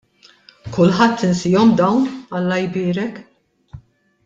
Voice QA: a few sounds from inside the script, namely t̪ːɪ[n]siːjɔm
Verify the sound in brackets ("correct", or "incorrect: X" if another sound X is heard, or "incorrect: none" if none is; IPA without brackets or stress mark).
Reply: correct